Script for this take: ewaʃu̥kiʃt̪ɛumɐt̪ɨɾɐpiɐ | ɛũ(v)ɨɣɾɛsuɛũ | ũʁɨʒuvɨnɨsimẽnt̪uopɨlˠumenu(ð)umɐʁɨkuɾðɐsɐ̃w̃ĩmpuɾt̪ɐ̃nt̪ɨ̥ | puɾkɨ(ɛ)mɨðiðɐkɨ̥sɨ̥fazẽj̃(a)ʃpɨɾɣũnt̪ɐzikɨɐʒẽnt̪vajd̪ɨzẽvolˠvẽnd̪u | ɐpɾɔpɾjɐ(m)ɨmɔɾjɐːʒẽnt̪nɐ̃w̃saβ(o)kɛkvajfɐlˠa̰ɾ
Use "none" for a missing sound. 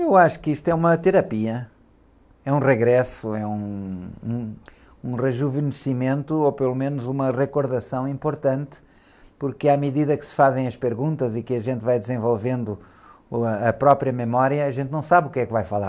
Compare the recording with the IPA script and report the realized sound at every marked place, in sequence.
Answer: ʁ, z, a, ɐ, m, u

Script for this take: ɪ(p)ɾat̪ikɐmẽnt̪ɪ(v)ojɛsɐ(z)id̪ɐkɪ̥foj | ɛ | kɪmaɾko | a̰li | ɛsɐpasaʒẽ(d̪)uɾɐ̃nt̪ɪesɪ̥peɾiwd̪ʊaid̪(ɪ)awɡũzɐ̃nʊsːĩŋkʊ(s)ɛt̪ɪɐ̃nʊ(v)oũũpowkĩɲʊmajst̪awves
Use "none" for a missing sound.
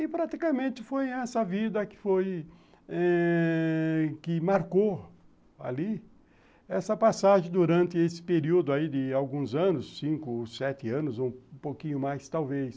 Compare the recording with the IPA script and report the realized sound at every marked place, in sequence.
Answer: p, f, v, d̪, ɪ, s, z

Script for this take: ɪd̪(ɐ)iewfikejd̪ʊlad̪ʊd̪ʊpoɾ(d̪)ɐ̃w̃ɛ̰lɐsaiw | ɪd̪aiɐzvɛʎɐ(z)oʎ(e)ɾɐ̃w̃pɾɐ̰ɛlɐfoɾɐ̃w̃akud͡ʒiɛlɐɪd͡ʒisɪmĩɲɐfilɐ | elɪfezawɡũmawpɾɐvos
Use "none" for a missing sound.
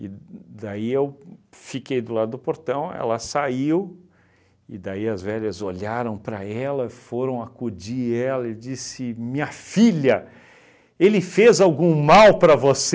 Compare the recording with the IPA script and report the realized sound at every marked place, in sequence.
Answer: a, t̪, z, a

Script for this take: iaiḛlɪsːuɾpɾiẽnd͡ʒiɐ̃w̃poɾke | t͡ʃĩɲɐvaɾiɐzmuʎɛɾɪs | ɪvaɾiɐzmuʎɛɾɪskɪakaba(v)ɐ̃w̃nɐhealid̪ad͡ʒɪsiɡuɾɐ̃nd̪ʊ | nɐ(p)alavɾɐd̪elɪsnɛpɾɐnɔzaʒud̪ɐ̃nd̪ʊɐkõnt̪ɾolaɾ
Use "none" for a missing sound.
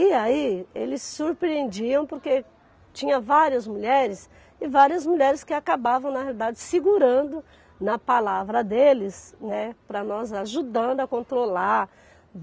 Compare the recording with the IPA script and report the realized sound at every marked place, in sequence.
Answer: v, p

